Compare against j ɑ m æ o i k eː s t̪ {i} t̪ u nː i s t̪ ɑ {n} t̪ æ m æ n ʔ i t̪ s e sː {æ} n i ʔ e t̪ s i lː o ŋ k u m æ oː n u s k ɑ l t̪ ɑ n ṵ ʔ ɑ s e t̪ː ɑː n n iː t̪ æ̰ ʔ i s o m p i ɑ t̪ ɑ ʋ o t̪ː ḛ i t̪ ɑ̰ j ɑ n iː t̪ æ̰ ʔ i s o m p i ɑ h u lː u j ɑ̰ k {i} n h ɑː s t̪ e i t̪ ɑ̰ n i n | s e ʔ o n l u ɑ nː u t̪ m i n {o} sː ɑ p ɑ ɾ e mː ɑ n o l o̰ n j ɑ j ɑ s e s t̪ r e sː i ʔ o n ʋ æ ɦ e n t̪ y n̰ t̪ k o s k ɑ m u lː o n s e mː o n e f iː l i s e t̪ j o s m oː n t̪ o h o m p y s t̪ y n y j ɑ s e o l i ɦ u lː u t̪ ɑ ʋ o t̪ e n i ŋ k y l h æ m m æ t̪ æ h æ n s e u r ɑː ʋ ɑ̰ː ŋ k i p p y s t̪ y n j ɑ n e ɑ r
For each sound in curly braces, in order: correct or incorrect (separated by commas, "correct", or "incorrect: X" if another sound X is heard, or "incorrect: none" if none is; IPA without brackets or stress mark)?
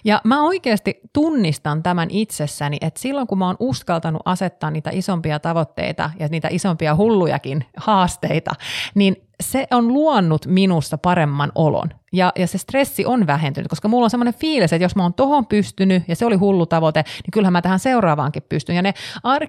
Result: correct, correct, correct, correct, incorrect: u